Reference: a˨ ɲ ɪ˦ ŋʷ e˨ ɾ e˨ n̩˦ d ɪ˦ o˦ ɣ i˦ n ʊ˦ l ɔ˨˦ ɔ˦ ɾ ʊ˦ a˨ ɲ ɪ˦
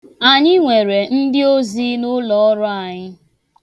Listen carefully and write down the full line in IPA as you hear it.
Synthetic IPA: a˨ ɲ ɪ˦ ŋʷ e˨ ɾ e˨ n̩˦ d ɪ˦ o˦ z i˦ n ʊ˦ l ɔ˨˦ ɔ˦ ɾ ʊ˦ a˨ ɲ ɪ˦